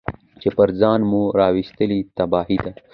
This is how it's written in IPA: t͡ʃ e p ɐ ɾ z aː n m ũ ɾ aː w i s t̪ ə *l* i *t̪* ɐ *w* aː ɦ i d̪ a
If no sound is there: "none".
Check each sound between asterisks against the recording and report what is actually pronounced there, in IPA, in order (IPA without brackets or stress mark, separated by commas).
l, t̪, b